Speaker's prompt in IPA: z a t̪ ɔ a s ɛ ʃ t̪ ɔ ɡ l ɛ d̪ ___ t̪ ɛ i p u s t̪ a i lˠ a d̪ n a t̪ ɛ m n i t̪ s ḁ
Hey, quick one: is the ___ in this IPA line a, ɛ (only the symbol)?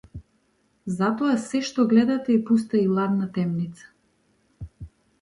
a